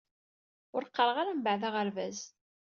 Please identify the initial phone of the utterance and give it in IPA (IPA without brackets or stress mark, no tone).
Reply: ʊ